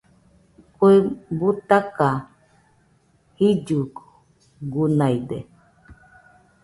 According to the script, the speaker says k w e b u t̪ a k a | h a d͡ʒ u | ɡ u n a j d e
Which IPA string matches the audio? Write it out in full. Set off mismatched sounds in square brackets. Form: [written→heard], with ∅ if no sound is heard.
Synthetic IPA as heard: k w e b u t̪ a k a | h [a→i] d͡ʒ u | ɡ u n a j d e

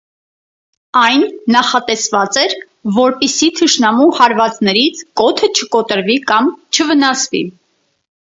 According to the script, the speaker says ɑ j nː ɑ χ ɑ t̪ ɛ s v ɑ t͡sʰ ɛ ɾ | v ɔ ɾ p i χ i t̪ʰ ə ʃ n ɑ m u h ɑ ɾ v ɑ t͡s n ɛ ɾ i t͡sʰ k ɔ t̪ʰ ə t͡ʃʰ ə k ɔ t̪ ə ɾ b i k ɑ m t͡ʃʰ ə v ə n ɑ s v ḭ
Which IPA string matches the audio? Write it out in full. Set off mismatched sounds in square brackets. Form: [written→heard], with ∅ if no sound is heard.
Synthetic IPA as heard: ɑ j nː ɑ χ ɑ t̪ ɛ s v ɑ [t͡sʰ→t͡s] ɛ ɾ | v ɔ ɾ p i [χ→s] i t̪ʰ ə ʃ n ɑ m u h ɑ ɾ v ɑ t͡s n ɛ ɾ i t͡sʰ k ɔ t̪ʰ ə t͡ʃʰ ə k ɔ t̪ ə ɾ [b→v] i k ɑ m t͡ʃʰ ə v ə n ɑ s v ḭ

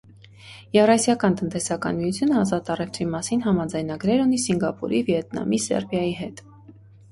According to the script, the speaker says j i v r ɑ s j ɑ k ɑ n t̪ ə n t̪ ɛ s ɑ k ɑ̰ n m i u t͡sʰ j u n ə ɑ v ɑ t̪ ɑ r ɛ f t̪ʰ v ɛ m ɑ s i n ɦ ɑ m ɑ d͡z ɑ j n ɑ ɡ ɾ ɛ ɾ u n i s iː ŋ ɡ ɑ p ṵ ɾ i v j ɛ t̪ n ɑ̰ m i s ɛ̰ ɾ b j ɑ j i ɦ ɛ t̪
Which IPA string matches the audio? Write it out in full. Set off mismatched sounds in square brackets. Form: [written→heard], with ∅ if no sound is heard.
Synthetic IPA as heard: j [i→ɛ] v r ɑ s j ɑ k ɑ n t̪ ə n t̪ ɛ s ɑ k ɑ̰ n m i u t͡sʰ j u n ə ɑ [v→z] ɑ t̪ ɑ r ɛ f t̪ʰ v [ɛ→i] m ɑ s i n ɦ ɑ m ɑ d͡z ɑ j n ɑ ɡ ɾ ɛ ɾ u n i s [iː→i] ŋ ɡ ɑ p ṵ ɾ i v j ɛ t̪ n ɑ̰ m i s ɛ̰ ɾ b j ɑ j i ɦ ɛ t̪

